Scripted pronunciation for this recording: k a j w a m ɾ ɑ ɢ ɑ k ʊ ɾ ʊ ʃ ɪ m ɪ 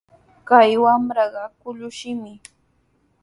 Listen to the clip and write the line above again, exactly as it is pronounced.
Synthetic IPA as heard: k a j w a m ɾ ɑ ɢ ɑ k ʊ ʎ ʊ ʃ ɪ m ɪ